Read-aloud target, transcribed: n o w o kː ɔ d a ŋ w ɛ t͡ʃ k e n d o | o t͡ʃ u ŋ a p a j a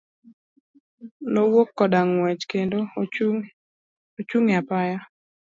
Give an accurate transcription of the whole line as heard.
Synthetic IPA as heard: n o w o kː ɔ d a ŋ w ɛ t͡ʃ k e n d o | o t͡ʃ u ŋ a p a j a